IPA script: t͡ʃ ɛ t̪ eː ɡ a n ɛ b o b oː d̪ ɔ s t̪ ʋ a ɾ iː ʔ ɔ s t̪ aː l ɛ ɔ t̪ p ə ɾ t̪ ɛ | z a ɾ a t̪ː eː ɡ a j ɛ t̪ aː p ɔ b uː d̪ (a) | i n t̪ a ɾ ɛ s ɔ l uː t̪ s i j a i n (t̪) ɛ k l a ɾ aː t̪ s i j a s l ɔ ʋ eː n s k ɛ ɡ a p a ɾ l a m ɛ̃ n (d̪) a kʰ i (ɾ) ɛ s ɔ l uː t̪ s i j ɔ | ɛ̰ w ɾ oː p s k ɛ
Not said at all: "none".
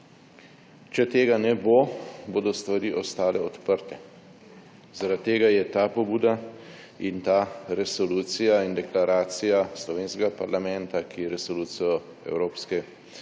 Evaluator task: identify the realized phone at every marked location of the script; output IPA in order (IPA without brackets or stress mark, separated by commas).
a, d̪, t̪, ɾ